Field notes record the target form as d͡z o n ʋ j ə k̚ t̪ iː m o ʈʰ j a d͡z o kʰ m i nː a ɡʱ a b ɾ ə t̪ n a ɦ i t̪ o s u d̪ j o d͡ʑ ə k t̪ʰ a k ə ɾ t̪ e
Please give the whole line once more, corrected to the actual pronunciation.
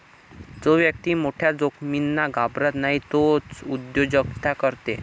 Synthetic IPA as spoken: d͡z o ʋ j ə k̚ t̪ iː m o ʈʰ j a d͡z o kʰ m i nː a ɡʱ a b ɾ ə t̪ n a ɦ i t̪ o t͡s u d̪ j o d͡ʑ ə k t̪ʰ a k ə ɾ t̪ e

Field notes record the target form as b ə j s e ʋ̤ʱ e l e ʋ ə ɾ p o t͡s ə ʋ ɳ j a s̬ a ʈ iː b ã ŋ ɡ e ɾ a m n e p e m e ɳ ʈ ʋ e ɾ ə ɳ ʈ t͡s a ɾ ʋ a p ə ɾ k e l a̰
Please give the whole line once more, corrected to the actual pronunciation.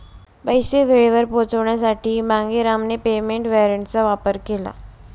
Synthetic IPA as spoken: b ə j s e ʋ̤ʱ e ɭ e ʋ ə ɾ p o t͡s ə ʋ ɳ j a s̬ a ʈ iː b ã ŋ ɡ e ɾ a m n e p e m e ɳ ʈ ʋ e ɾ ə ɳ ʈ t͡s a ʋ a p ə ɾ k e l a̰

